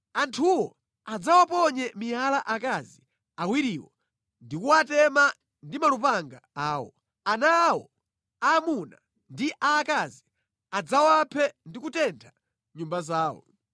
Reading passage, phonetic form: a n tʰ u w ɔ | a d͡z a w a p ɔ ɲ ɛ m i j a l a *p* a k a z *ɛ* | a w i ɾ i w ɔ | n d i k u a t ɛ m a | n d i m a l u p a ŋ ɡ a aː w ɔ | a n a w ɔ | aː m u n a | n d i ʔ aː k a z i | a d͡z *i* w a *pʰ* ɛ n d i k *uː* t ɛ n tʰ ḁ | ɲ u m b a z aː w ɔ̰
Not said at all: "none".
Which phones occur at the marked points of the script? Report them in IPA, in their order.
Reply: ʔ, i, a, pʰ, u

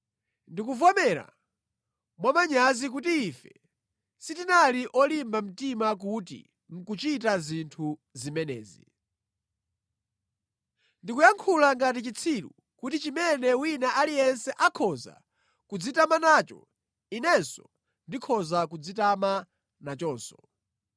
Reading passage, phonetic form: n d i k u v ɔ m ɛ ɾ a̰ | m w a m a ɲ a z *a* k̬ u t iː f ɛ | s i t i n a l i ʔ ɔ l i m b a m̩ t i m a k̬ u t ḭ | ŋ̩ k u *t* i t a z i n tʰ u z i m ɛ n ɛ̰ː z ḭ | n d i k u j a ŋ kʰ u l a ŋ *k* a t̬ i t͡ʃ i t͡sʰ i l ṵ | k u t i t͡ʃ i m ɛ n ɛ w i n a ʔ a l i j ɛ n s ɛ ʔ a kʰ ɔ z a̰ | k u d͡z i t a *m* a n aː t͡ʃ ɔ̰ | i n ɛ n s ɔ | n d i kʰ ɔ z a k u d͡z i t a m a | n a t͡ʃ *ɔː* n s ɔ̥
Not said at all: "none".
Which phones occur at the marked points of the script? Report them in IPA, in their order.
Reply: i, t͡ʃ, ɡ, m, ɔː

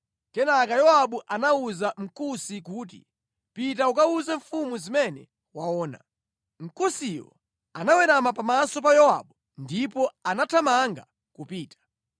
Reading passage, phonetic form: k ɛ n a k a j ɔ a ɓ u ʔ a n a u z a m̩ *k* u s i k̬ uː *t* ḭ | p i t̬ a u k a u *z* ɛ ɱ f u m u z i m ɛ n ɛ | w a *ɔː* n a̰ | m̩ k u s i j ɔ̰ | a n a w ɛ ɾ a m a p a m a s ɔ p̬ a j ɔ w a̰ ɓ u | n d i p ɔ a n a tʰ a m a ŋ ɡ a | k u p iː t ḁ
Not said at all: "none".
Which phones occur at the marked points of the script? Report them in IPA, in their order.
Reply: k, t, z, ɔː

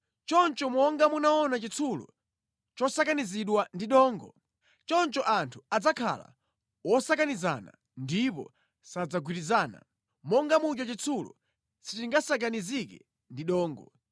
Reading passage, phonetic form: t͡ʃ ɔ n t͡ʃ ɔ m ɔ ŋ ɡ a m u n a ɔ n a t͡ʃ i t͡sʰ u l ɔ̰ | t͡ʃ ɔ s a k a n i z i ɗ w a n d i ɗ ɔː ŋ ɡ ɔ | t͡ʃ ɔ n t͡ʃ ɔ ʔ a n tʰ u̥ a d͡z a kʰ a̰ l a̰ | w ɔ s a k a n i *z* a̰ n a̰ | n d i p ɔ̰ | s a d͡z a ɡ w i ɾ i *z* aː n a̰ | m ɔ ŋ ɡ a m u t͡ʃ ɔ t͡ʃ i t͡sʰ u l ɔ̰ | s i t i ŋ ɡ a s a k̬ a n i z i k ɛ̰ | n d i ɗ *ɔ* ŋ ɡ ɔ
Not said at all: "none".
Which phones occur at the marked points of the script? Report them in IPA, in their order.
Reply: z, z, ɔː

